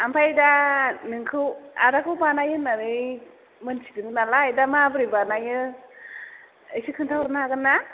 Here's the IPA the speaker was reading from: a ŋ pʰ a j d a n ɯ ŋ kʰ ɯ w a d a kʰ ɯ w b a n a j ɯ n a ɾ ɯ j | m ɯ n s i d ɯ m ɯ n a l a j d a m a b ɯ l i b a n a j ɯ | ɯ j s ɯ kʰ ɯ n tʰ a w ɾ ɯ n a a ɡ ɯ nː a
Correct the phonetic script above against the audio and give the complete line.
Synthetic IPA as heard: a m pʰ a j d a n ɯ ŋ kʰ ɯ w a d a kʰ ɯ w b a n a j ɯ n a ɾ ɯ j | m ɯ n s i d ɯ ŋ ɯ n a l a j d a m a b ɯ ɾ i b a n a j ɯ | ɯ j s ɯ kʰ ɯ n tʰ a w ɾ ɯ n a a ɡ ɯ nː a